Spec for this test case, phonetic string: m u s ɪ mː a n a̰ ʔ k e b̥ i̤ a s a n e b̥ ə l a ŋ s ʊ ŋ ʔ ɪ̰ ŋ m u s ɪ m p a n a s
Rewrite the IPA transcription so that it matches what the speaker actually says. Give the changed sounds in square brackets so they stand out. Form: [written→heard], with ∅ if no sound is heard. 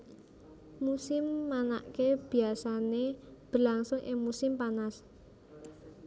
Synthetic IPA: m u s ɪ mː a n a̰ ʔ k e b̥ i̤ a s a n e b̥ ə l a ŋ s ʊ ŋ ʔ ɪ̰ ŋ m u s ɪ m p a n a s